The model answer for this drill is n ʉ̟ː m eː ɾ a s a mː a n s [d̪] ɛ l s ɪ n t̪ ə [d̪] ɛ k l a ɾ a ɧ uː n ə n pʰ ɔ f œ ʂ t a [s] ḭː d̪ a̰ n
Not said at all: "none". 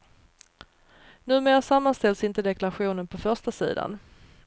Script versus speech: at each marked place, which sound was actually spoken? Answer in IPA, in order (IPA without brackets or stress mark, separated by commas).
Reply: t̪, d̪, s